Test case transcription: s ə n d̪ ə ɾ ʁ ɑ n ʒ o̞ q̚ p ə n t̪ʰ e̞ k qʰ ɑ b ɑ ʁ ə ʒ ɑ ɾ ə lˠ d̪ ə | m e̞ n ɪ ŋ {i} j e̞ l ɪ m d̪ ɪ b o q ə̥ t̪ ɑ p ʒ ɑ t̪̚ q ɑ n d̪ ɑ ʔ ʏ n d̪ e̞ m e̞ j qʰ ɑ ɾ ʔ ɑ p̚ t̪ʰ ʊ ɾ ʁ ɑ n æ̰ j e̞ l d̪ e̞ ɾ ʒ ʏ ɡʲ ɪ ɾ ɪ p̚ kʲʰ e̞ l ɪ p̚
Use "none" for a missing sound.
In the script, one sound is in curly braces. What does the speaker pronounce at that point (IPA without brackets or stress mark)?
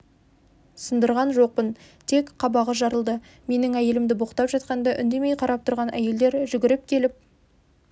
æ